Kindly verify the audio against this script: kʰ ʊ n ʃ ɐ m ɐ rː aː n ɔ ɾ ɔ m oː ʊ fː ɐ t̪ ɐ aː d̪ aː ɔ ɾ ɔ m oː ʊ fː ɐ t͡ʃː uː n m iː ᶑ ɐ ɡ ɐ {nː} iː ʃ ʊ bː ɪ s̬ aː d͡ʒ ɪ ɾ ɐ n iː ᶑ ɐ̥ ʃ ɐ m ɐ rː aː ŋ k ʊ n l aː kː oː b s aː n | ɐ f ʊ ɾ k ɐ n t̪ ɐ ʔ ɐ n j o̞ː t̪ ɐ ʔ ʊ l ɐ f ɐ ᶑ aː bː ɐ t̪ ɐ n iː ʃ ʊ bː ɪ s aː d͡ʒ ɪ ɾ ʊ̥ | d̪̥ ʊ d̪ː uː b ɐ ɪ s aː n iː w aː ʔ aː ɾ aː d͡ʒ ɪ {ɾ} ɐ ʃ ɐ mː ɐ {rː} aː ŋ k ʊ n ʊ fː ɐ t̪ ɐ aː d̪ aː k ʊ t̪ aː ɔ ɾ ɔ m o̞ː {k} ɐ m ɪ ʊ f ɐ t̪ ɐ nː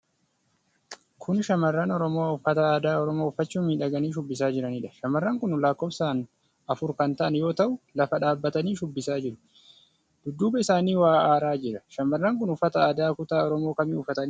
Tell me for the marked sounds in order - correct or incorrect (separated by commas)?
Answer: incorrect, correct, correct, correct